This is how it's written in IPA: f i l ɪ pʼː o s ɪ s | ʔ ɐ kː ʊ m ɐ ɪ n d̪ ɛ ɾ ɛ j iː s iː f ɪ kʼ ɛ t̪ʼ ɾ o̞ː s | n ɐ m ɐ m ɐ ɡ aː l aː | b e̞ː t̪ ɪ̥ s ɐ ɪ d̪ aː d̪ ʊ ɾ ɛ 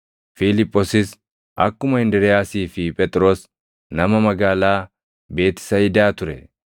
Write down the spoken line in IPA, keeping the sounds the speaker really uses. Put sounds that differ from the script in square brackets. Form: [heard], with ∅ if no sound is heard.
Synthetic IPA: f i l ɪ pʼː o s ɪ s | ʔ ɐ kː ʊ m ɐ ɪ n d̪ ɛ ɾ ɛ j [aː] s iː f ɪ [pʼ] ɛ t̪ʼ ɾ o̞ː s | n ɐ m ɐ m ɐ ɡ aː l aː | b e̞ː t̪ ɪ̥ s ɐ ɪ d̪ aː [t̪] ʊ ɾ ɛ

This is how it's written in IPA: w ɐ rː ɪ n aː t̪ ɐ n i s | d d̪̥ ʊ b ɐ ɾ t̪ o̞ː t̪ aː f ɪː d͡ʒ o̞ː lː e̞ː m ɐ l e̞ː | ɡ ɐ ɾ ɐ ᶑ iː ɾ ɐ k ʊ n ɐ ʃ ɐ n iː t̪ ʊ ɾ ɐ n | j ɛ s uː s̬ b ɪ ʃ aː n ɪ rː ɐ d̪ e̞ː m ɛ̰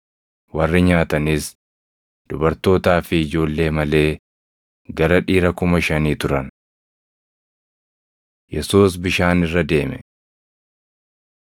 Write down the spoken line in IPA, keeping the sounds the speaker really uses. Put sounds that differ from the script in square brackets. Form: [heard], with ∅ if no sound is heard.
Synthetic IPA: w ɐ rː ɪ [ɲ] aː t̪ ɐ n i s | d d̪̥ ʊ b ɐ ɾ t̪ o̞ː t̪ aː f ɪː d͡ʒ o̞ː lː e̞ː m ɐ l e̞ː | ɡ ɐ ɾ ɐ ᶑ iː ɾ ɐ k ʊ [m] ɐ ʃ ɐ n iː t̪ ʊ ɾ ɐ n | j ɛ s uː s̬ b ɪ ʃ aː n ɪ rː ɐ d̪ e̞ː m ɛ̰

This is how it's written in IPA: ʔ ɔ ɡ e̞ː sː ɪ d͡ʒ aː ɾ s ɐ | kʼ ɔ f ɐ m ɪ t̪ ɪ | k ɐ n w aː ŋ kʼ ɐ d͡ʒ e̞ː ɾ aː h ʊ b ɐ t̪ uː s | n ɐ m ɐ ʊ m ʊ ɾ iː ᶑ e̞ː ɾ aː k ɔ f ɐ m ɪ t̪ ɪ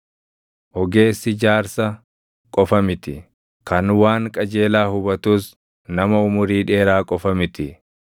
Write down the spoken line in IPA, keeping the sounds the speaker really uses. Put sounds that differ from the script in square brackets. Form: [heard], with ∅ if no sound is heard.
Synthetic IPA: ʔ ɔ ɡ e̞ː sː ɪ d͡ʒ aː ɾ s ɐ | kʼ ɔ f ɐ m ɪ t̪ ɪ | k ɐ n w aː ŋ kʼ ɐ d͡ʒ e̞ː [l] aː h ʊ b ɐ t̪ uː s | n ɐ m ɐ ʊ m ʊ ɾ iː ᶑ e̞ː ɾ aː [kʼ] ɔ f ɐ m ɪ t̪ ɪ

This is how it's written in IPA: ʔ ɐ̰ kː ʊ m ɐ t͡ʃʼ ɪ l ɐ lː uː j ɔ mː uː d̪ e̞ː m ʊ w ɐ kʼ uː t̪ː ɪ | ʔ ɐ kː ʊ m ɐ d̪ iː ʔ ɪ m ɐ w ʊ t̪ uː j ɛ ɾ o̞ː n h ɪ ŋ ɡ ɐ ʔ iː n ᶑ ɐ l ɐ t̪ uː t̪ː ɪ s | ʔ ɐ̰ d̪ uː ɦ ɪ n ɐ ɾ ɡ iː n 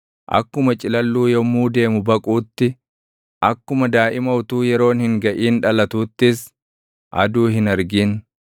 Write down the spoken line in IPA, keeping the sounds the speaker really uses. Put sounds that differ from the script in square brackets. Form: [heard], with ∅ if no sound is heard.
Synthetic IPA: ʔ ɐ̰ kː ʊ m ɐ t͡ʃʼ ɪ l ɐ lː uː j ɔ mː uː d̪ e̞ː m ʊ [b] ɐ kʼ uː t̪ː ɪ | ʔ ɐ kː ʊ m ɐ d̪ [aː] ʔ ɪ m ɐ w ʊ t̪ uː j ɛ ɾ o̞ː n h ɪ ŋ ɡ ɐ ʔ iː n ᶑ ɐ l ɐ t̪ uː t̪ː ɪ s | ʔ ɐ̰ d̪ uː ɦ ɪ n ɐ ɾ ɡ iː n

